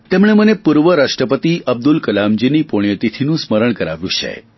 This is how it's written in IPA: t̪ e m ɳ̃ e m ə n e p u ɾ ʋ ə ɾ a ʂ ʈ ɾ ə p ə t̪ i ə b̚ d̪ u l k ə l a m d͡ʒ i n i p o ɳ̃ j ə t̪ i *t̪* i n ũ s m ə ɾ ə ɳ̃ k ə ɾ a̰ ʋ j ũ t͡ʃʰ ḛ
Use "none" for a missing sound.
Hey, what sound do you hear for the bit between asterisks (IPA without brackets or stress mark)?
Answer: t̪ʰ